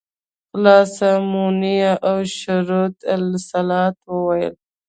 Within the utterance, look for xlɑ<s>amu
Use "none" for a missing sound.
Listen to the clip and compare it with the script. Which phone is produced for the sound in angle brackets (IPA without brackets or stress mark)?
s